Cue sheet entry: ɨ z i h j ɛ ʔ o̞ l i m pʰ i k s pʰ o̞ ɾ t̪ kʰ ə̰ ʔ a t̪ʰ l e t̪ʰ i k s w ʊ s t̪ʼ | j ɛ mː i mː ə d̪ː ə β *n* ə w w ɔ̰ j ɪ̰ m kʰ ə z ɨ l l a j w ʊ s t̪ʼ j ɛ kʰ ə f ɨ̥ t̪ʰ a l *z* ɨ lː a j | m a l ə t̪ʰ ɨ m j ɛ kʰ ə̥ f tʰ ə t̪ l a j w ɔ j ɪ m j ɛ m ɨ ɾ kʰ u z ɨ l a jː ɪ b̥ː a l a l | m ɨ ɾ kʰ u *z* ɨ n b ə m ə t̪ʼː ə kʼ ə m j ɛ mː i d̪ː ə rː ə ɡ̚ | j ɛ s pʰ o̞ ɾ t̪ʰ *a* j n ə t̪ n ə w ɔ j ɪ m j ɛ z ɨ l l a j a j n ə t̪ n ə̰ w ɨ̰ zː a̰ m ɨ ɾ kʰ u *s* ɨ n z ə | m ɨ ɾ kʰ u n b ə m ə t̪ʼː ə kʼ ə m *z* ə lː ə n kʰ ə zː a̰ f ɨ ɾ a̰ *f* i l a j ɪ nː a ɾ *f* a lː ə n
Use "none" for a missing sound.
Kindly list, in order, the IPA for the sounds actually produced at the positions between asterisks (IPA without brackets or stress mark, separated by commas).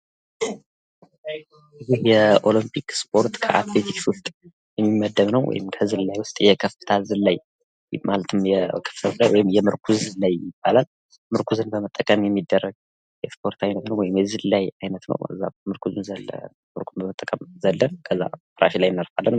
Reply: n, z, z, a, z, z, ʃ, f